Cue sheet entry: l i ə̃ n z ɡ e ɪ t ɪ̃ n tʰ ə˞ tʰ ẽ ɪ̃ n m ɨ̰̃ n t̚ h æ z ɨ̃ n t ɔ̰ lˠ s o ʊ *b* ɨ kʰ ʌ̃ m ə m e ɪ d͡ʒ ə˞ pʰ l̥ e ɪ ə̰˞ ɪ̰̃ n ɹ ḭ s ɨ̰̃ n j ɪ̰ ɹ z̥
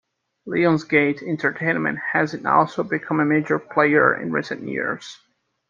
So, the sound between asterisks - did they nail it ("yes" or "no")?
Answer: yes